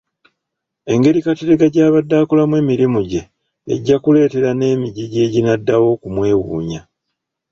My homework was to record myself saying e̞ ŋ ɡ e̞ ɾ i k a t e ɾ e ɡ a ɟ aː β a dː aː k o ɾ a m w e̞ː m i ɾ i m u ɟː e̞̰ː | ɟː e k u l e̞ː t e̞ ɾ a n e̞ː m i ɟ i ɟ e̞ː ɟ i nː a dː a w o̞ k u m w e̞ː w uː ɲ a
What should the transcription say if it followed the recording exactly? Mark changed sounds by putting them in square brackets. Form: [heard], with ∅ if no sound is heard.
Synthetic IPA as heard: e̞ ŋ ɡ e̞ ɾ i k a t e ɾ e ɡ a ɟ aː β a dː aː k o [l] a m w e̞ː m i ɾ i m u [ɟ] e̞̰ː | ɟː [a] k u l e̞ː t e̞ ɾ a n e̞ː m i ɟ i ɟ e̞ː ɟ i [n] a dː a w o̞ k u m w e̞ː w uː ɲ a